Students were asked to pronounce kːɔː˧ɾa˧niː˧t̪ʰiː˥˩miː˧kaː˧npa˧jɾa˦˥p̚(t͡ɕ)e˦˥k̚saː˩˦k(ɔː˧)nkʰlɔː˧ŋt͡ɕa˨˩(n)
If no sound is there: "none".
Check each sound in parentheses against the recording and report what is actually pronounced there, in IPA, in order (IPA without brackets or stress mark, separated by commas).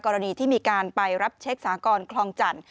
t͡ɕʰ, ɔː˧, n